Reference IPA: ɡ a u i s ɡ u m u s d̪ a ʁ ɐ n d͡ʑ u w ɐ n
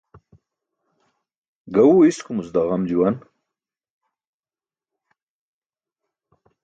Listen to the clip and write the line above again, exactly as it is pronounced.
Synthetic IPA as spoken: ɡ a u i s k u m u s d̪ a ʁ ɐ m d͡ʑ u w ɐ n